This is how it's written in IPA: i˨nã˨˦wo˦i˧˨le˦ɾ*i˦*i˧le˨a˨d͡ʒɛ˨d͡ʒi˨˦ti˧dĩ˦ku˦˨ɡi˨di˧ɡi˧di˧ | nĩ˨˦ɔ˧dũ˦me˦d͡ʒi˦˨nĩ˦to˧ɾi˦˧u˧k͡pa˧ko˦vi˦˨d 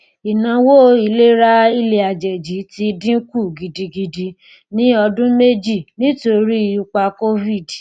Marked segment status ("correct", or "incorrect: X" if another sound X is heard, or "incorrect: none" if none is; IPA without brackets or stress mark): incorrect: a˦